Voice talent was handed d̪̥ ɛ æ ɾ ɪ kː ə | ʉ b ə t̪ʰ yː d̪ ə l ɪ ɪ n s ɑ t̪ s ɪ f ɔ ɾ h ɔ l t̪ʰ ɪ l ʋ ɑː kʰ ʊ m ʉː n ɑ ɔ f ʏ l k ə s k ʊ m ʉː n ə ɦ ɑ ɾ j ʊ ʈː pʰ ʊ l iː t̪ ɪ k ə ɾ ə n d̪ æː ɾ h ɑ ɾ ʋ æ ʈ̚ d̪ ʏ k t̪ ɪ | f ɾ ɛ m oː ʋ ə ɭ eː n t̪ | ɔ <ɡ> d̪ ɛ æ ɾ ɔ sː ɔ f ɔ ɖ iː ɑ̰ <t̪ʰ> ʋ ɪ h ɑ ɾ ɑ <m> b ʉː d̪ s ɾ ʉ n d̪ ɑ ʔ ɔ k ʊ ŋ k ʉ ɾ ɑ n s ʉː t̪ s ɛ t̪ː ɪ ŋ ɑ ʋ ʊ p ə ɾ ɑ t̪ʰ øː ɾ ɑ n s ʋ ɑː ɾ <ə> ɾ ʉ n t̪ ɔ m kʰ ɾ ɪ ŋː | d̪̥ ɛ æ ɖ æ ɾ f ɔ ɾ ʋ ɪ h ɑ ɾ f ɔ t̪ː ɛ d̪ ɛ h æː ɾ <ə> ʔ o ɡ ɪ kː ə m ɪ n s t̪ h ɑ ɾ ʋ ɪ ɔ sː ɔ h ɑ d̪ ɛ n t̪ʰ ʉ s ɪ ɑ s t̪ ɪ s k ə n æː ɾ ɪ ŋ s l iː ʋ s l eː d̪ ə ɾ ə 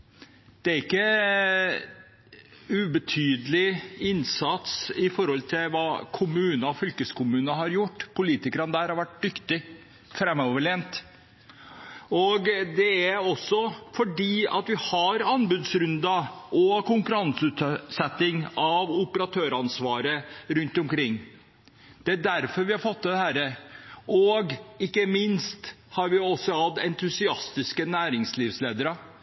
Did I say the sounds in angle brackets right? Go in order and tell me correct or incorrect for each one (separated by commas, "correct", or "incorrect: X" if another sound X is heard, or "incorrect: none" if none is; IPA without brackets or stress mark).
correct, incorrect: t̪, incorrect: n, correct, correct